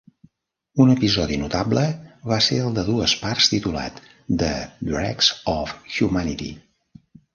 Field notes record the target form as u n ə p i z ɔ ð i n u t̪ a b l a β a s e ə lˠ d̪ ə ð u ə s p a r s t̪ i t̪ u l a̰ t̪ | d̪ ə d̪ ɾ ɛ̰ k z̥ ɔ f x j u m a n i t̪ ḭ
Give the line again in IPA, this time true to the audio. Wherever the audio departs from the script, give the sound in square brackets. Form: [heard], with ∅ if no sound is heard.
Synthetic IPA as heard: u n ə p i z ɔ ð i n u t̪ a b l [ə] β a s e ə lˠ d̪ ə ð u ə s p a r s t̪ i t̪ u l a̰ t̪ | d̪ ə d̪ ɾ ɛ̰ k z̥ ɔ f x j u m a n i t̪ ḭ